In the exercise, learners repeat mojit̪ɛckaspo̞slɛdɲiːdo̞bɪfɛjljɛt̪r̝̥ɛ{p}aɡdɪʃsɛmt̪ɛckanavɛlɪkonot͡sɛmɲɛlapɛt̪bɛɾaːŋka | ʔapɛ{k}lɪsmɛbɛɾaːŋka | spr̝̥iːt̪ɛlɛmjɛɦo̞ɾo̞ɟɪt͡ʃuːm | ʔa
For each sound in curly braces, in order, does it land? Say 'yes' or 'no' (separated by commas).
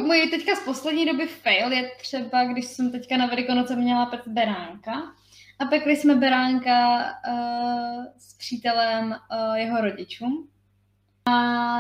no, yes